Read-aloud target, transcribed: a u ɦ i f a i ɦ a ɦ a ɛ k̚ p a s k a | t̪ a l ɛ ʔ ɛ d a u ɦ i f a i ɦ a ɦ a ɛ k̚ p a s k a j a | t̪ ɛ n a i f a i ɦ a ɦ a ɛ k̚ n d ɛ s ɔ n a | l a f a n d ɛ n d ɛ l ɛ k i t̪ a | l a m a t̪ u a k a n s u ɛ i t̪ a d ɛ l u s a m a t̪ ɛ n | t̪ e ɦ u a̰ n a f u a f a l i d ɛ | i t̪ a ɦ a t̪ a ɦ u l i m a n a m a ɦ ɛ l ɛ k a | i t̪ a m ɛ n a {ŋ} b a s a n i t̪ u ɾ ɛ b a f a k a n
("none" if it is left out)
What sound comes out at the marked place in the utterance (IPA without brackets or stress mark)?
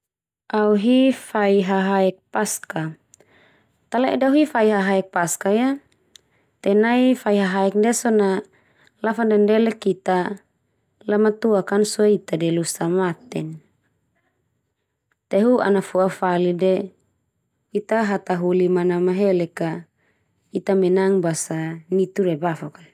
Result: ŋ